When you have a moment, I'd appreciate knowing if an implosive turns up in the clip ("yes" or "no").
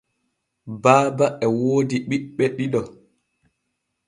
yes